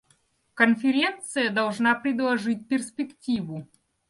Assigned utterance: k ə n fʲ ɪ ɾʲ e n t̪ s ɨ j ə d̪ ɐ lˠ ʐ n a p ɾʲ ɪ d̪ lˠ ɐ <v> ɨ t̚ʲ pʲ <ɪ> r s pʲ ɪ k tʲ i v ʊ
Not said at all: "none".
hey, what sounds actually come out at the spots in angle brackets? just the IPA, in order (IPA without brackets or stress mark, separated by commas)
ʐ, ɪ